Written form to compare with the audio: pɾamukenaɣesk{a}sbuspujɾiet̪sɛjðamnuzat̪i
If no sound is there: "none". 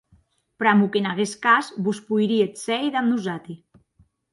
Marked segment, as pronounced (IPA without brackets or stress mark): a